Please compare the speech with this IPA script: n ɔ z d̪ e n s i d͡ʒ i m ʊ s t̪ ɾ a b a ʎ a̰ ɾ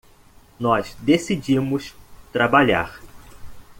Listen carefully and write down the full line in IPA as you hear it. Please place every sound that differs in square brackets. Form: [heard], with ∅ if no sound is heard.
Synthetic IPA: n ɔ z d̪ e [∅] s i d͡ʒ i m ʊ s t̪ ɾ a b a ʎ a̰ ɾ